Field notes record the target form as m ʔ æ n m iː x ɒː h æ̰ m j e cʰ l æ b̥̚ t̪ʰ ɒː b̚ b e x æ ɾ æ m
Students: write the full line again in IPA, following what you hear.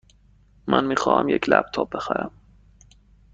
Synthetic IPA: m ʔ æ n m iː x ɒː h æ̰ m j e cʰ l æ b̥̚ t̪ʰ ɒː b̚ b e x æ ɾ æ m